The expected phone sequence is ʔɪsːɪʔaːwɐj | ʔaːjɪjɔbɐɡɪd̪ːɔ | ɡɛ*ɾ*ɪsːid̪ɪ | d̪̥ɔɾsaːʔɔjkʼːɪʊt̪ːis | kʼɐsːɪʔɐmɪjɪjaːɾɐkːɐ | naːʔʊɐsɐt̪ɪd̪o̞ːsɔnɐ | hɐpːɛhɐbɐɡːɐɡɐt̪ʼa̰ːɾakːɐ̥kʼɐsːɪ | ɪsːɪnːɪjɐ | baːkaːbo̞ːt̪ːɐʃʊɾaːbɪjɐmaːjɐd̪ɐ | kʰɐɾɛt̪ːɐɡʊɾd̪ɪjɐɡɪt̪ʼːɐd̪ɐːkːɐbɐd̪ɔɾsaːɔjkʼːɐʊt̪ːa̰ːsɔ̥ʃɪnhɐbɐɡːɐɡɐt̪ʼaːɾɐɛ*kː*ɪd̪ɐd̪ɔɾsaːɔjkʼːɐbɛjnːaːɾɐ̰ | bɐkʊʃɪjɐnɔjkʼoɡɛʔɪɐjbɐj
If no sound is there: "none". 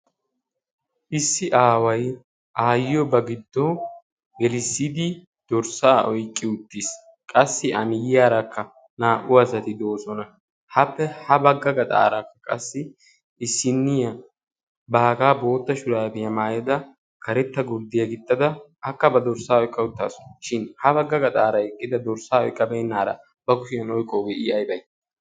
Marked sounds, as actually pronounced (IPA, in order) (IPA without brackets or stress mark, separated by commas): l, kʼː